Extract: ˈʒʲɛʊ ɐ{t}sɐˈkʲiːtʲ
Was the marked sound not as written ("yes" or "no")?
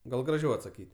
no